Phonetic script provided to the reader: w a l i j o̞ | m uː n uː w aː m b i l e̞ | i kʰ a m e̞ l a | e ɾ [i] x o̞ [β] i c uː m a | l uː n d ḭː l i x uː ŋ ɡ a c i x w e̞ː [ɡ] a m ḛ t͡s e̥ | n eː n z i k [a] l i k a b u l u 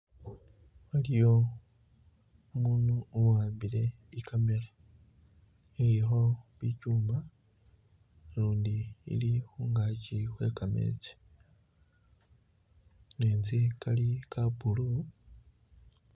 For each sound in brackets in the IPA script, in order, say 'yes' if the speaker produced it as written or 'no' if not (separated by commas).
yes, yes, no, yes